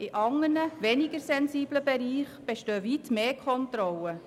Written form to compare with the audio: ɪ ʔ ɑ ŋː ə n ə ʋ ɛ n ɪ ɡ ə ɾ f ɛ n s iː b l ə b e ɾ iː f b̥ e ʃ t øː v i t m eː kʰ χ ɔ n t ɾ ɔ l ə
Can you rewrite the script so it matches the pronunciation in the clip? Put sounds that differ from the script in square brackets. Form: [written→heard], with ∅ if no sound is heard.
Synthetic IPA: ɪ ʔ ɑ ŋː ə n ə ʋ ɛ n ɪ ɡ ə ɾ [f→s] ɛ n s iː b l ə b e ɾ iː [f→χ] b̥ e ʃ t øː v i t m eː kʰ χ ɔ n t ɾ ɔ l ə